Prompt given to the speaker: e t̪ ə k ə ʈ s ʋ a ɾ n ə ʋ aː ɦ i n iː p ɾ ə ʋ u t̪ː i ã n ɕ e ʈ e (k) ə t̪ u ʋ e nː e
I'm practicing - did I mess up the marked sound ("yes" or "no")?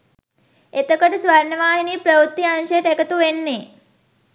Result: no